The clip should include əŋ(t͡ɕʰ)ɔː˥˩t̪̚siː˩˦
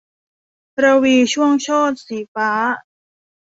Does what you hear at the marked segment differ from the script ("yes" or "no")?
no